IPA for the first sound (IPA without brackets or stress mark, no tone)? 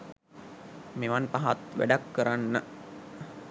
m